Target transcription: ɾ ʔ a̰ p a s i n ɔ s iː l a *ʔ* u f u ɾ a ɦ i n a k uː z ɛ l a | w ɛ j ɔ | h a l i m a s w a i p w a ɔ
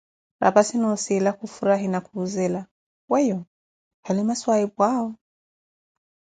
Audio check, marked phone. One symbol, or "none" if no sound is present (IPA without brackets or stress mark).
k